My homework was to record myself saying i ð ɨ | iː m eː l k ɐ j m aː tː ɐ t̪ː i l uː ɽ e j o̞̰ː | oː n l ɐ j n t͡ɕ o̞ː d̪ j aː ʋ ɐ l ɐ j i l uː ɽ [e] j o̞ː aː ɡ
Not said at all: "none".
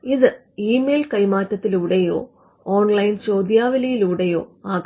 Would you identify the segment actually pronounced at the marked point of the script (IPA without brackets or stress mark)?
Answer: e